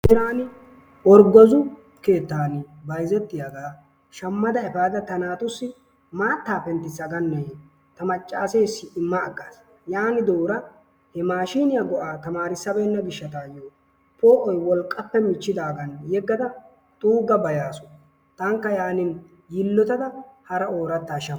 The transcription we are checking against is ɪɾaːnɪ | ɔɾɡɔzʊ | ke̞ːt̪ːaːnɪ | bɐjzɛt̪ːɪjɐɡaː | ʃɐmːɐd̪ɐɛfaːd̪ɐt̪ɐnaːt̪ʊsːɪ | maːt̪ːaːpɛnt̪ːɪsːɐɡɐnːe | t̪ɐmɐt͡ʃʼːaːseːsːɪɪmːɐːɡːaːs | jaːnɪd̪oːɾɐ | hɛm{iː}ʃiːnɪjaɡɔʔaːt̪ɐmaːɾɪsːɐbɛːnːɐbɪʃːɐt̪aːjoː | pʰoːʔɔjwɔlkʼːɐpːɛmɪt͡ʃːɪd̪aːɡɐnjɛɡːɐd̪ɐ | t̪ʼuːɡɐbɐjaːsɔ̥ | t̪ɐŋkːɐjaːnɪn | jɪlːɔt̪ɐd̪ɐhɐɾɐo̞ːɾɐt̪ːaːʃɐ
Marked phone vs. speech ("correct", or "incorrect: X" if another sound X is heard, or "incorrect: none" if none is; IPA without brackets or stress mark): incorrect: aː